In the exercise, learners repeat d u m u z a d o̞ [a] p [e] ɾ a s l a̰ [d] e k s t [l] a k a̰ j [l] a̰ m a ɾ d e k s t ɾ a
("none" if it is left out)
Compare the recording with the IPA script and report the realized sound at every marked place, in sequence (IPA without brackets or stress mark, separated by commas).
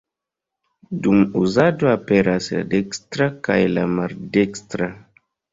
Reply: a, e, d, ɾ, l